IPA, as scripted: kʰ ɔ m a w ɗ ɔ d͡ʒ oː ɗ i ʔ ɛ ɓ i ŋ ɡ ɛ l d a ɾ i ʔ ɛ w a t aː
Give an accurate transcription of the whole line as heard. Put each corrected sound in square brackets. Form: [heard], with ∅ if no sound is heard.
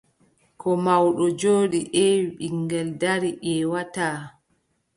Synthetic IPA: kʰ ɔ m a w ɗ ɔ d͡ʒ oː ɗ i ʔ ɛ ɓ i ŋ ɡ ɛ l d a ɾ i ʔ ɛ w a t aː